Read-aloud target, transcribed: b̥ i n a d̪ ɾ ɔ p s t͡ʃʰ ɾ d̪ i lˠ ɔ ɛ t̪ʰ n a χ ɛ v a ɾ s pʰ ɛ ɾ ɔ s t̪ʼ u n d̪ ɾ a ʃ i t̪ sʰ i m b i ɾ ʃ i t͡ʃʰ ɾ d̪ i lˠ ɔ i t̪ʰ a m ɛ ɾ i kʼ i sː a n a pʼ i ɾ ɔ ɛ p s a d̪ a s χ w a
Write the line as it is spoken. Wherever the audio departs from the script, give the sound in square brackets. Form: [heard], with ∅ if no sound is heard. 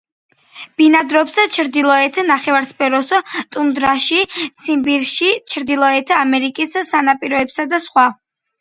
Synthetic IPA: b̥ i n a d̪ ɾ ɔ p s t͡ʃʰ ɾ d̪ i lˠ ɔ ɛ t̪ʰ n a χ ɛ v a ɾ s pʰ ɛ ɾ ɔ s t̪ʼ u n d̪ ɾ a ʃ i t̪ sʰ i m b i ɾ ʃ i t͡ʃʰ ɾ d̪ i lˠ ɔ [ɛ] t̪ʰ a m ɛ ɾ i kʼ i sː a n a pʼ i ɾ ɔ ɛ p s a d̪ a s χ w a